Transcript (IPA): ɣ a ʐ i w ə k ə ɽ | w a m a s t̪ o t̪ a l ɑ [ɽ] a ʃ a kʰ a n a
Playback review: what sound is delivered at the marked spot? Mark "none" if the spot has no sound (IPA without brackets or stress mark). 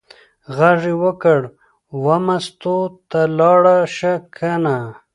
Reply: ɽ